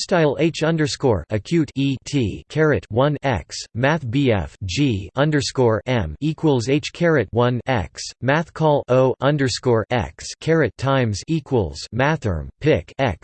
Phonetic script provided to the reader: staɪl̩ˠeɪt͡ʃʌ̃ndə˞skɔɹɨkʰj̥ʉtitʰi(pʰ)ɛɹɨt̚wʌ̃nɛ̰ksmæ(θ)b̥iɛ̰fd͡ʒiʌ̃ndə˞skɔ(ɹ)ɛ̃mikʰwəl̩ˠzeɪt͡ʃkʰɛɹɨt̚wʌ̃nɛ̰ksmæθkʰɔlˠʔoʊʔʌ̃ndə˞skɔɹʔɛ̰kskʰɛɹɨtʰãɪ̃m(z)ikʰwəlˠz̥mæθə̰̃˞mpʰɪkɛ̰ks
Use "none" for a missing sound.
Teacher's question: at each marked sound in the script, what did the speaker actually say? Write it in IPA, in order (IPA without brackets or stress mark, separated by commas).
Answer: kʰ, θ, ɹ, z